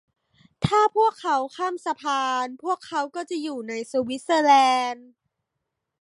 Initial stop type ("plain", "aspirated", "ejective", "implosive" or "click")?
aspirated